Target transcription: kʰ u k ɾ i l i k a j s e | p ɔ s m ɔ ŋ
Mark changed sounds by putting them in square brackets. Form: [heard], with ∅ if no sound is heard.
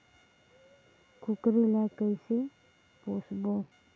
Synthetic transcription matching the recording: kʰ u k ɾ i l [a] k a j s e | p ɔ s [b] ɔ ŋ